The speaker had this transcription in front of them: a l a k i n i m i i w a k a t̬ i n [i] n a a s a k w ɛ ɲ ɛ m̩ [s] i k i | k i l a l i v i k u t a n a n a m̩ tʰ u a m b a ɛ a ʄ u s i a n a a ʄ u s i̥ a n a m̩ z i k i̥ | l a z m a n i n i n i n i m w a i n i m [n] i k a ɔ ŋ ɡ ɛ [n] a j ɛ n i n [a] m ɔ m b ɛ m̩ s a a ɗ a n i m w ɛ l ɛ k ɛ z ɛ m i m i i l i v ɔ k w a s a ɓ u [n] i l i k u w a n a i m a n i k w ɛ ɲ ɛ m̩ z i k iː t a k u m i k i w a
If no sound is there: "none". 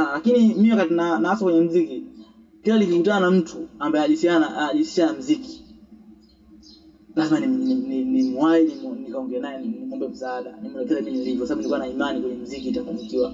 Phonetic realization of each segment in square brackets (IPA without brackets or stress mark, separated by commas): a, z, n, n, i, n